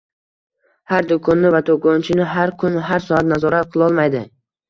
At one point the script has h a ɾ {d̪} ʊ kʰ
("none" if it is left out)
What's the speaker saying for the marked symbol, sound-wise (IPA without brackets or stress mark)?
d̪